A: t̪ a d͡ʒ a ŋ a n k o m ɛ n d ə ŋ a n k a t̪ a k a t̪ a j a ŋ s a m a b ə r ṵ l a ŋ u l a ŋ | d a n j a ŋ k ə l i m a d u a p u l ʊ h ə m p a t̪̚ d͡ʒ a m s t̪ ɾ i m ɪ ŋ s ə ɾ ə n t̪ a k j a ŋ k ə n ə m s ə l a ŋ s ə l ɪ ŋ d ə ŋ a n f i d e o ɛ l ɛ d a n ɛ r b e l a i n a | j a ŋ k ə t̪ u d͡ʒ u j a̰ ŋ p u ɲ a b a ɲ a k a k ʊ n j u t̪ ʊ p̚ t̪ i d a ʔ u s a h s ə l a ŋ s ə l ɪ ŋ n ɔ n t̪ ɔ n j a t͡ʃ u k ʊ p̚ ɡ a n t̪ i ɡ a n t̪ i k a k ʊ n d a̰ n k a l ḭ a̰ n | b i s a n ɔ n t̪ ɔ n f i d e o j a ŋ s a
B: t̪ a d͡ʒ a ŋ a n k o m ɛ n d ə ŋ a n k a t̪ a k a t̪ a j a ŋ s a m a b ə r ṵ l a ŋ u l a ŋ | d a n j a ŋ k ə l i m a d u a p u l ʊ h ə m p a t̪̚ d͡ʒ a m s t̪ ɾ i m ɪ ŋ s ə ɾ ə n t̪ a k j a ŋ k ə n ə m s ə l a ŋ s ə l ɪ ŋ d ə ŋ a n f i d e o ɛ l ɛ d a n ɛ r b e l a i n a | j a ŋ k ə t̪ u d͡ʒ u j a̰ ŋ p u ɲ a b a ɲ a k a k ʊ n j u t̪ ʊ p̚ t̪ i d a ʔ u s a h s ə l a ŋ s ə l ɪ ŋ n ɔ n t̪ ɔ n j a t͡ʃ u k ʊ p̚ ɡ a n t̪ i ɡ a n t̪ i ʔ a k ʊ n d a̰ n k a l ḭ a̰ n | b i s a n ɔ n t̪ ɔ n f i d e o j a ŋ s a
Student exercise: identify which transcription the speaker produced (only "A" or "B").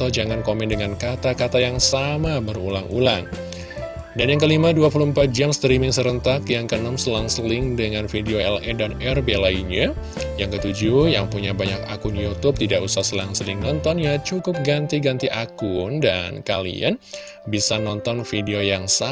B